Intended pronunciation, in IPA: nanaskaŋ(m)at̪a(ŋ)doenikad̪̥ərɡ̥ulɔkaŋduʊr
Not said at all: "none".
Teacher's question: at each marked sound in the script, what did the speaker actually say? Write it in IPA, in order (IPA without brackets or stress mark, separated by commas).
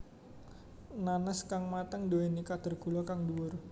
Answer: m, ŋ